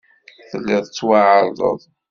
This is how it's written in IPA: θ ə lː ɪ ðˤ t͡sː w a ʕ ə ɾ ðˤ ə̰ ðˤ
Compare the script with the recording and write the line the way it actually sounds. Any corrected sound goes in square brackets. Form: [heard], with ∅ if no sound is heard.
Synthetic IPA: θ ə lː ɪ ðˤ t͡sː w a ʕ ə ɾ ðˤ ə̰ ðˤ